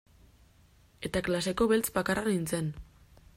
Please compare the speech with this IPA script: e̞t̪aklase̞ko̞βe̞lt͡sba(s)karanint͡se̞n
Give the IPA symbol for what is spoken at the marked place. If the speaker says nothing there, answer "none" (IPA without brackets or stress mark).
none